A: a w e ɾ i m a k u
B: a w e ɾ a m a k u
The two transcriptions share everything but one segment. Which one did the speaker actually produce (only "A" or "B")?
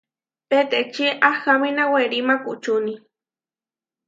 A